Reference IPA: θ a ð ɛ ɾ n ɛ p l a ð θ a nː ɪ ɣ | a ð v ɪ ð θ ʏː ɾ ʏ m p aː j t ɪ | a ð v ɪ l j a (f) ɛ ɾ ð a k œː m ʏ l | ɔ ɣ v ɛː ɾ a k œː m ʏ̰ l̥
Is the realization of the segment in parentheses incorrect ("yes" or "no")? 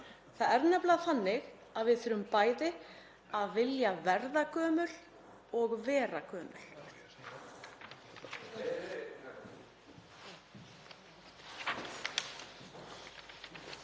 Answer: yes